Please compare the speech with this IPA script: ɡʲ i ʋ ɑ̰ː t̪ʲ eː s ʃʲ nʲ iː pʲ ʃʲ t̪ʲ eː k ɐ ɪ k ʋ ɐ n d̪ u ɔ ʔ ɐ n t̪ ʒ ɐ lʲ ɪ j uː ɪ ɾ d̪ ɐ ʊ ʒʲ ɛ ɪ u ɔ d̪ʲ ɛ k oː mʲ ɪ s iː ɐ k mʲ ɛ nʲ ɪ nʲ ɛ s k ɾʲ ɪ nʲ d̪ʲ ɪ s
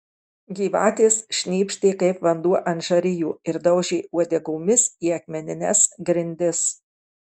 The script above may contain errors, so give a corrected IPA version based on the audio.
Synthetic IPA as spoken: ɡʲ iː ʋ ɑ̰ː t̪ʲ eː s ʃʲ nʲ iː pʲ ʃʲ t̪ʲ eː k ɐ ɪ p ʋ ɐ n d̪ u ɔ ʔ ɐ n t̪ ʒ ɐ ɾʲ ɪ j uː ɪ ɾ d̪ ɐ ʊ ʒʲ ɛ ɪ u ɔ d̪ʲ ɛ ɡ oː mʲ ɪ s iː ɐ k mʲ ɛ nʲ ɪ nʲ ɛ s ɡ ɾʲ ɪ nʲ d̪ʲ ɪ s